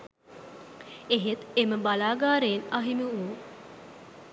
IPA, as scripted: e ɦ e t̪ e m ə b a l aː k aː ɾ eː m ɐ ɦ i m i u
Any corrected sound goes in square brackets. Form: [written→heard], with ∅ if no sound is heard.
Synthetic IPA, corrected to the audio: e ɦ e t̪ e m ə b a l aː [k→ɡ] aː ɾ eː [m→n] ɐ ɦ i m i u